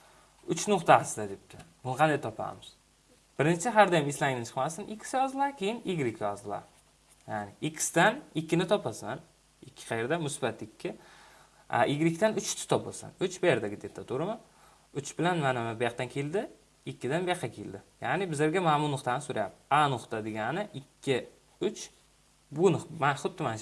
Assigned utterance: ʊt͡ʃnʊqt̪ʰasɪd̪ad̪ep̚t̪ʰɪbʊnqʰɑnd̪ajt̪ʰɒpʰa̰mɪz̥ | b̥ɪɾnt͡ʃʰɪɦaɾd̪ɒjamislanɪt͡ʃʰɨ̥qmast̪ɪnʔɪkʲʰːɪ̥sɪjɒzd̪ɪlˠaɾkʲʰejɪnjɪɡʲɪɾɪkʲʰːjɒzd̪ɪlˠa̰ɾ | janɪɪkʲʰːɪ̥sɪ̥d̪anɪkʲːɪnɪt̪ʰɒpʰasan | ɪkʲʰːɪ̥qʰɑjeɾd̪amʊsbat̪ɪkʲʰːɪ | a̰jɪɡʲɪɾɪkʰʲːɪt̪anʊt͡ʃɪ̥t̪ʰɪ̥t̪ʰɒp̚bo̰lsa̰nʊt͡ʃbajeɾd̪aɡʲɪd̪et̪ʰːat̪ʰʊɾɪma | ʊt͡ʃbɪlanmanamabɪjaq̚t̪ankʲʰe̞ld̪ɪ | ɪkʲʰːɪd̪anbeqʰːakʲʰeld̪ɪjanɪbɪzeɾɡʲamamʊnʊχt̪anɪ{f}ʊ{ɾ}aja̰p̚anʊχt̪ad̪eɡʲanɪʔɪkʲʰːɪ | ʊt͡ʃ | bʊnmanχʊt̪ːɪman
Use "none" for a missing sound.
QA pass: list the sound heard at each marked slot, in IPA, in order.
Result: s, ɾ

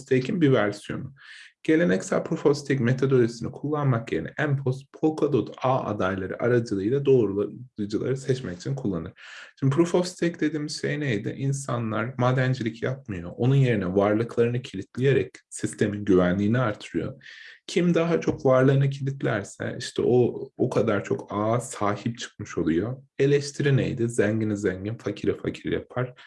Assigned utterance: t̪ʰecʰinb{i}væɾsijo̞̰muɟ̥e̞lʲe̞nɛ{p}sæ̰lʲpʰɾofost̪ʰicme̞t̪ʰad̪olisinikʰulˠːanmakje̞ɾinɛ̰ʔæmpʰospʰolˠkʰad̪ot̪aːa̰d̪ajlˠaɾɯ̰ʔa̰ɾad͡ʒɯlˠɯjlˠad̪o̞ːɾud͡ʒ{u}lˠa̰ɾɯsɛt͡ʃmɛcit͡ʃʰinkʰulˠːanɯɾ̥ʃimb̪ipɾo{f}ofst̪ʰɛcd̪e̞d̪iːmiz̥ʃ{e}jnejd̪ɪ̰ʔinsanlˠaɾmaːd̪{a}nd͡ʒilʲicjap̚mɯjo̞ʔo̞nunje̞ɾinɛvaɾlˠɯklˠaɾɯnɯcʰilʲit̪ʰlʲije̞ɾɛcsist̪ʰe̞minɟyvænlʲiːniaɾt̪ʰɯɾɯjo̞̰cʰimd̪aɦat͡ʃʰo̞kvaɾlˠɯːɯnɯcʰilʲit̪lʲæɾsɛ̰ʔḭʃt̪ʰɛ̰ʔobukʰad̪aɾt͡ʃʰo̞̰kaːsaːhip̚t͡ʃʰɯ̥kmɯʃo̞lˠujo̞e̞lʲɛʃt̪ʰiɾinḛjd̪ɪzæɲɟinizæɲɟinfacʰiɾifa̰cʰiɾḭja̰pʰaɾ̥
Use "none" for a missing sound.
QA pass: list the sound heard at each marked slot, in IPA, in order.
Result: i, c, ɯ, f, e, æ

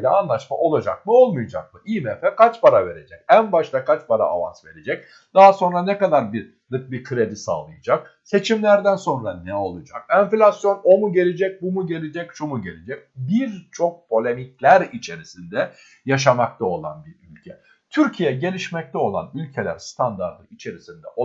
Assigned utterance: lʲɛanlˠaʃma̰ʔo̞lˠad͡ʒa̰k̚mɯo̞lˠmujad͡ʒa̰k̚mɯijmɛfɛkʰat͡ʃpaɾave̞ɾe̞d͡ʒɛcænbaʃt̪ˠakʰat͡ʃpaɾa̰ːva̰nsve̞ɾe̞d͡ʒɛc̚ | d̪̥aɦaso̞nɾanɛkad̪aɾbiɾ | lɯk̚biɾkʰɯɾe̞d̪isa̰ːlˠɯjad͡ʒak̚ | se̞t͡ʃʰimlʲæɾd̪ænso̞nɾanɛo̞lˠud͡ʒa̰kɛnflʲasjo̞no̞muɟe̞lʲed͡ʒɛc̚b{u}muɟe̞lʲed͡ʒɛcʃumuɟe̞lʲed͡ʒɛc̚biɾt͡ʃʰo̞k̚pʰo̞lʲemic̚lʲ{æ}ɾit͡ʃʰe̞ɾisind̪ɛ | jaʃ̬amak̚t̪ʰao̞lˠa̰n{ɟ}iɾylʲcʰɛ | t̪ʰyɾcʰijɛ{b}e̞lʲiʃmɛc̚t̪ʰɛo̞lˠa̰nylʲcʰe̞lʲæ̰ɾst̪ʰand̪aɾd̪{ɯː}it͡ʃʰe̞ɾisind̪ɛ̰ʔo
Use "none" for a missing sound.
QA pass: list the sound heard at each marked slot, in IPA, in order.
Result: u, æ, b, ɟ, ɯ

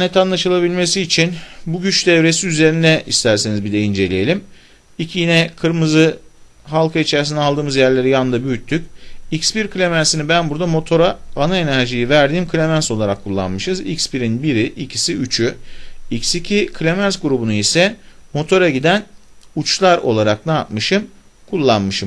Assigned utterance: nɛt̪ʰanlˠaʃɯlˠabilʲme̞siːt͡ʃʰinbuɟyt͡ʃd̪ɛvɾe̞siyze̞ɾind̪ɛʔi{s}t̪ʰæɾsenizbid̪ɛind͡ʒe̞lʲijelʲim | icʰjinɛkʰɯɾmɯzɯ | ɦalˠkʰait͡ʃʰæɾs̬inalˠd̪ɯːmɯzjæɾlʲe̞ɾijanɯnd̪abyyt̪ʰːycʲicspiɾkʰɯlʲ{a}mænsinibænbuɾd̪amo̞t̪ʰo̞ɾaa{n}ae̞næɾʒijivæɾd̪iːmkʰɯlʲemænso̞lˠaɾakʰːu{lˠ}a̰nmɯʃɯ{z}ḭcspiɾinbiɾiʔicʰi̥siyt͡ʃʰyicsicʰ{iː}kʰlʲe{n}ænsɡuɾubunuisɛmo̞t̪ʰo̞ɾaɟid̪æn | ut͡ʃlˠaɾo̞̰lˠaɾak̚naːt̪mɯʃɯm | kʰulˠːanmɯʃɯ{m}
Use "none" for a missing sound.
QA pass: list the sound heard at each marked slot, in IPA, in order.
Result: s, e, n, lˠː, z, i, m, m

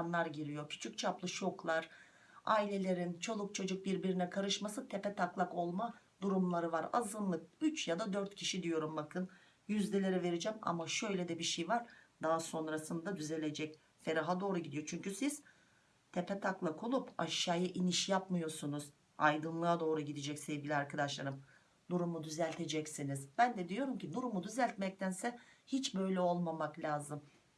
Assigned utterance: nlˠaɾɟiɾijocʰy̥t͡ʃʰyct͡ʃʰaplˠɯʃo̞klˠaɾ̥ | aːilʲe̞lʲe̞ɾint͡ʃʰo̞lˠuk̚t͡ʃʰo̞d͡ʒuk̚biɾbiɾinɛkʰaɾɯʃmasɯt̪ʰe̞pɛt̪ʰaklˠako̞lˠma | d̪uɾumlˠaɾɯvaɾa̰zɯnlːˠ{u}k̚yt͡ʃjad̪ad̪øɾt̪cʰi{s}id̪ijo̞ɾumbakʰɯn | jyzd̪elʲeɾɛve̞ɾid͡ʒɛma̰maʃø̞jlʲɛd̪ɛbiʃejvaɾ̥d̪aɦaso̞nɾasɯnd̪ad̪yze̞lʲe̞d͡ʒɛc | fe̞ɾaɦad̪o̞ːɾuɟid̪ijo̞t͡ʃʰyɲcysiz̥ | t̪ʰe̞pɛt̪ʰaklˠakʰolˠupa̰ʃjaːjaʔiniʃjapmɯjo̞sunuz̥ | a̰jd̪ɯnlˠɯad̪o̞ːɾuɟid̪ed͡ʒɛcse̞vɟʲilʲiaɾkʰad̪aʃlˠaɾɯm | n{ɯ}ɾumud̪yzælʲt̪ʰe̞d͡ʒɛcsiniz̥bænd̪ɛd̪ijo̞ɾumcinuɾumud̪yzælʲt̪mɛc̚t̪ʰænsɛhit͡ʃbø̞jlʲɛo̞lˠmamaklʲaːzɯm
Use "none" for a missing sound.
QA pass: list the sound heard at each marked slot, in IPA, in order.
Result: ɯ, ʃ, u

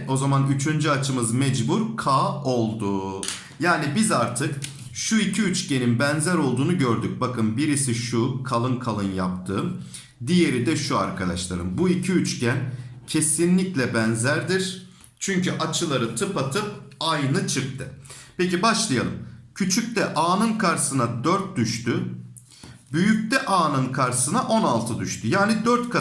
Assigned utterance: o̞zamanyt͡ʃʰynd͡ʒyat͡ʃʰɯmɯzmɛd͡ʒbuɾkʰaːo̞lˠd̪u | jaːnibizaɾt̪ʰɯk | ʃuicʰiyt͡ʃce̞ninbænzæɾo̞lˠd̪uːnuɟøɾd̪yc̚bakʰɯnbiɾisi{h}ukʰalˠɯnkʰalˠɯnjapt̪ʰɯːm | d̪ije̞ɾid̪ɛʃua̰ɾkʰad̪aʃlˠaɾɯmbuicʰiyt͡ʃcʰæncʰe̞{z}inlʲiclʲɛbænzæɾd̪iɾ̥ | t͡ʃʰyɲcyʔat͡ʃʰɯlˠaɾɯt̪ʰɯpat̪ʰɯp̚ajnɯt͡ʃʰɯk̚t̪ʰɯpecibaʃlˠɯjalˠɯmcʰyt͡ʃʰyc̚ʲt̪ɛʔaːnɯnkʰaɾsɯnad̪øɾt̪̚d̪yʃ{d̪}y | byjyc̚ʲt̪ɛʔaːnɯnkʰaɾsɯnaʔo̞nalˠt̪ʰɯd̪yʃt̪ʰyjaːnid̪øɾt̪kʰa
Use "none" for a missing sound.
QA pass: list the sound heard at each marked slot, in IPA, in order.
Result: ʃ, s, t̪

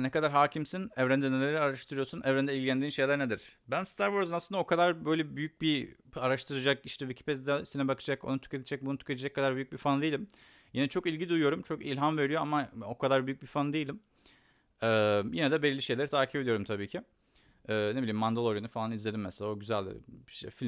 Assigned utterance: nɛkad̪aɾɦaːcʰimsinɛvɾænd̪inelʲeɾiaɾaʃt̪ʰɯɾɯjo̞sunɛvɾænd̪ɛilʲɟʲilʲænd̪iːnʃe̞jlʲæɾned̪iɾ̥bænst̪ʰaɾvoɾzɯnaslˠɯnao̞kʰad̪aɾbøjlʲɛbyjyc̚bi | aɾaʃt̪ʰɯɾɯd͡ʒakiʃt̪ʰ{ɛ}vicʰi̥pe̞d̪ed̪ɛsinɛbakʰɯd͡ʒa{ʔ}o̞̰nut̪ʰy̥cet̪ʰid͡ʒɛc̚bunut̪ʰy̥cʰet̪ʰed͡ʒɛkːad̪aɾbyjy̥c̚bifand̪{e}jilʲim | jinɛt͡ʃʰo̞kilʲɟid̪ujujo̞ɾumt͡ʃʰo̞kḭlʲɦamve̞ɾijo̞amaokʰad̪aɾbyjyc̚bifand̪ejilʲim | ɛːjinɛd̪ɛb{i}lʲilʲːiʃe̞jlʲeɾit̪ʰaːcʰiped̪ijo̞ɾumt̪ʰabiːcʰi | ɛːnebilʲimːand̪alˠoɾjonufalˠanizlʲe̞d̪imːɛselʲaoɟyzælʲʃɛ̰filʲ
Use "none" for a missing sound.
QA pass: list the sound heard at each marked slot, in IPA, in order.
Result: ɛ, k, e, e

